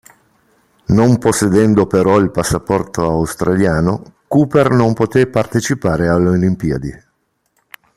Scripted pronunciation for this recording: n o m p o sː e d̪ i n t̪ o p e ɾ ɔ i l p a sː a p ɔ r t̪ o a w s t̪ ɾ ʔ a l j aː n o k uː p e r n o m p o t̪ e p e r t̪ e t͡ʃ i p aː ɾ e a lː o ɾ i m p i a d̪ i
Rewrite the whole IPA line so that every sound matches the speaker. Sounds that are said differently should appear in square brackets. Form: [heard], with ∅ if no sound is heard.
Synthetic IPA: n o m p o sː e d̪ [ɛ] n [d̪] o p e ɾ ɔ i l p a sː a p ɔ r t̪ o a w s t̪ ɾ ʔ a l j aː n o k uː p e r n o m p o t̪ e p [a] r t̪ e t͡ʃ i p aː ɾ e a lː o [l] i m p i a d̪ i